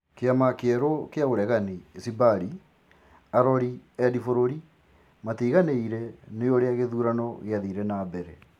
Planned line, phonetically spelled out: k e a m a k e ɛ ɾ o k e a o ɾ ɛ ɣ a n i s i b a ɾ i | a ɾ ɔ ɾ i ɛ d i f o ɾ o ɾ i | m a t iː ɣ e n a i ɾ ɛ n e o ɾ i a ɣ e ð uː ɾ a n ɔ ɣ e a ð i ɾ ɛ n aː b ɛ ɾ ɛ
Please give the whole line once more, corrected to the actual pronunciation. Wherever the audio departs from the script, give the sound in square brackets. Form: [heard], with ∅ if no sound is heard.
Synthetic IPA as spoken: k e a m a k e ɛ ɾ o k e a o ɾ ɛ ɣ a n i s i b a ɾ i | a ɾ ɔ ɾ i ɛ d i f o ɾ o ɾ i | m a t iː ɣ [a] n [e] i ɾ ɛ n e o ɾ [e] a ɣ e ð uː ɾ a n ɔ ɣ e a ð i ɾ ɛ n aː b ɛ ɾ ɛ

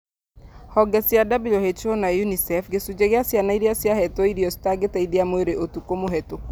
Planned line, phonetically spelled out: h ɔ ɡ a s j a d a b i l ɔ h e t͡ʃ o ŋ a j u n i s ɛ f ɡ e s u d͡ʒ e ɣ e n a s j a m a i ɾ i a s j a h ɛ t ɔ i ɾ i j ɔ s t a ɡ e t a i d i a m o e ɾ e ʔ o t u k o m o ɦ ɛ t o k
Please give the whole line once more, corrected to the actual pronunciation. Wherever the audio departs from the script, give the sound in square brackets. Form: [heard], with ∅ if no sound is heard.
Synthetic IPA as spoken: h ɔ ɡ [ɛ] s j a d a b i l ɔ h e t͡ʃ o [n] a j u n i s ɛ f ɡ e s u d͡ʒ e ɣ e [∅] a s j a [n] a i ɾ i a s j a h ɛ t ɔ i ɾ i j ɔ s t a ɡ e t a i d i a m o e ɾ e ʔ o t u k o m o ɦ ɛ t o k

